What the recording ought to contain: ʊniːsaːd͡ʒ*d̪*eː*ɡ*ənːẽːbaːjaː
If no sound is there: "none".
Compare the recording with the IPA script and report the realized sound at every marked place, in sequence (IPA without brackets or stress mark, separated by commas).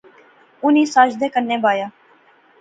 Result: d̪, k